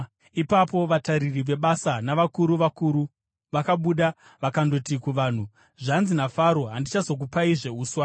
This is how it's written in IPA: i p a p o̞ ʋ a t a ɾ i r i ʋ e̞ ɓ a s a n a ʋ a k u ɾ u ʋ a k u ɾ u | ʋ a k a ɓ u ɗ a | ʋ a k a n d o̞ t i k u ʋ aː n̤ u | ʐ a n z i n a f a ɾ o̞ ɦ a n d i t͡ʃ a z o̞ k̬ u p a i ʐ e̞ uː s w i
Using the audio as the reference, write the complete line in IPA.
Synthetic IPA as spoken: i p a p o̞ ʋ a t a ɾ i r i ʋ e̞ ɓ a s a n a ʋ a k u ɾ u ʋ a k u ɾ u | ʋ a k a ɓ u ɗ a | ʋ a k a n d o̞ t i k u ʋ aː n̤ u | ʐ a n z i n a f a ɾ o̞ ɦ a n d i t͡ʃ a z o̞ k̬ u p a i ʐ e̞ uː s w a